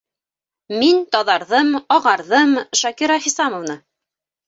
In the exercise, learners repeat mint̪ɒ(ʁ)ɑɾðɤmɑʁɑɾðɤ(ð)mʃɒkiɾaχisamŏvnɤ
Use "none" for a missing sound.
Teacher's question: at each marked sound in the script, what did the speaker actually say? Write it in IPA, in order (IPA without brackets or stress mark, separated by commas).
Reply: ð, none